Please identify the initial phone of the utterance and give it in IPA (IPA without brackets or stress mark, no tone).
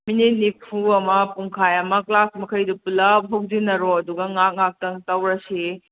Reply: m